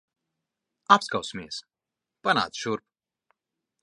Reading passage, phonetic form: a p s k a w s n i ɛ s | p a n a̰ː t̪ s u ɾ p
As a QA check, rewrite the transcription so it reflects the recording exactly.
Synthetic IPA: a p s k a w s m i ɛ s | p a n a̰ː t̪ ʃ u ɾ p